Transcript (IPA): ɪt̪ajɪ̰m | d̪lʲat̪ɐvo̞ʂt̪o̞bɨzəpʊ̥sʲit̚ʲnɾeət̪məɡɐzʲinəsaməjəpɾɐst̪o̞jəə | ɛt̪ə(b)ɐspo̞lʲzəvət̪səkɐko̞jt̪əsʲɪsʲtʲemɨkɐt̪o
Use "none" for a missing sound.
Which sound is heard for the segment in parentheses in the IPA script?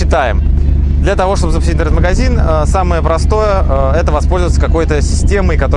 v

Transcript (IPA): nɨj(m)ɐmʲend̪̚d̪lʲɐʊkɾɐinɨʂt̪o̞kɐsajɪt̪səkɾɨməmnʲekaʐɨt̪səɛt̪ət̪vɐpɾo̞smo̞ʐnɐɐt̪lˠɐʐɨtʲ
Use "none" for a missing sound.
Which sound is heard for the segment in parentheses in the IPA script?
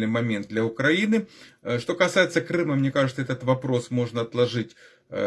m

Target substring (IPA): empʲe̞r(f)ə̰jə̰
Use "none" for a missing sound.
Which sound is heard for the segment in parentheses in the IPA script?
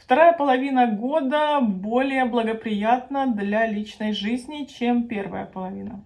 v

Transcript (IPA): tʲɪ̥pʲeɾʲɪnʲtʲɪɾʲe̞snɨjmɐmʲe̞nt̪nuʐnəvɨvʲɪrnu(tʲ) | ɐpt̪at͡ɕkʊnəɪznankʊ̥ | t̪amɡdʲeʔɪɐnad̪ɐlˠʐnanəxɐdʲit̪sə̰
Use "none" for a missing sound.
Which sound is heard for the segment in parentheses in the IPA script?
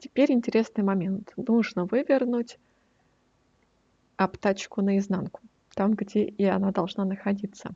tʲ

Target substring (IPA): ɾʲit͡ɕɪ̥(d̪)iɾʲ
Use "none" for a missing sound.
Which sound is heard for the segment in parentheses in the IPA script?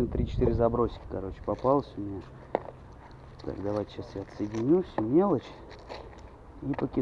t̪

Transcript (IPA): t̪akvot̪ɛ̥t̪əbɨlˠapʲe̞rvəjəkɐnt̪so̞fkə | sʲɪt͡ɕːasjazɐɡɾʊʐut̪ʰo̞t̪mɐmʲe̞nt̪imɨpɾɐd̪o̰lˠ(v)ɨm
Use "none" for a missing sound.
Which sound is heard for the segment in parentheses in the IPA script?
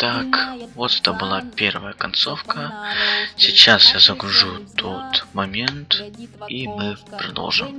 ʐ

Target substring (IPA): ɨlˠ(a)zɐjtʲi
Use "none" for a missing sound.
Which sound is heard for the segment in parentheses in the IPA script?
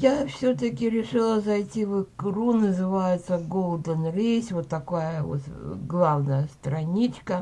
ə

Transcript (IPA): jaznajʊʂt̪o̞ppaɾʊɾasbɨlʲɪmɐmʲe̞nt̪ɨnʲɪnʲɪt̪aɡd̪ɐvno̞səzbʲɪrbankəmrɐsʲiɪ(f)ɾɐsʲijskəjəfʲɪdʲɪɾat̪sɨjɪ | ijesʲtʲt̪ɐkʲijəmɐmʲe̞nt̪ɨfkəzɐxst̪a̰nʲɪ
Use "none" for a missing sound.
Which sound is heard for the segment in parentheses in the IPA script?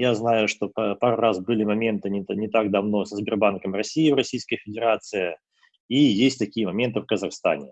v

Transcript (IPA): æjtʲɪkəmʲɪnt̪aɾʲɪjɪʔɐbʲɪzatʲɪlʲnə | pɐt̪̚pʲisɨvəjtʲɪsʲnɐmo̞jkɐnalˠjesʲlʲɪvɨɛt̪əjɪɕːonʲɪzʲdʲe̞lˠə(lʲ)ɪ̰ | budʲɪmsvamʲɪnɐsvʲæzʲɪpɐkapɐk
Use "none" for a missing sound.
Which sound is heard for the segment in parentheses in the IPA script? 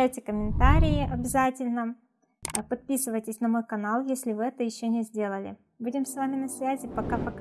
lʲ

